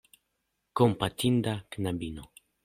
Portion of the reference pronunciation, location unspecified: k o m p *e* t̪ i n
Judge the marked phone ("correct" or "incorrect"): incorrect